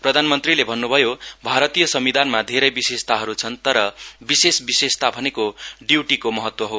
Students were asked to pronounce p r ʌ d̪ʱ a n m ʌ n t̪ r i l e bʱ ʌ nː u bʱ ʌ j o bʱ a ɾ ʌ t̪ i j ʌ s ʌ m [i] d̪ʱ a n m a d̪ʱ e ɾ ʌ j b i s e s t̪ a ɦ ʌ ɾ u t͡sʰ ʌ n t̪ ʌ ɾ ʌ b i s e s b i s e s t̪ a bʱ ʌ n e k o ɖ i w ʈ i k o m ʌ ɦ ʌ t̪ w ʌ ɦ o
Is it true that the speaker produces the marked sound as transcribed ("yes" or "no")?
yes